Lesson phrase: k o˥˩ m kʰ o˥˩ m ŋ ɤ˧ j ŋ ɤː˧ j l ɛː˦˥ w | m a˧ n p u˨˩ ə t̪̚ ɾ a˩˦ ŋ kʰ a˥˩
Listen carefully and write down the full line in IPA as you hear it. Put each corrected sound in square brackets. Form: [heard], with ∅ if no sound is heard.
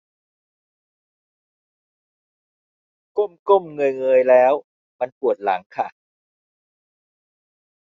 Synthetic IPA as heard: k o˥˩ m [k] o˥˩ m ŋ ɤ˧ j ŋ ɤː˧ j l ɛː˦˥ w | m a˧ n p u˨˩ ə t̪̚ [l] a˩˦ ŋ kʰ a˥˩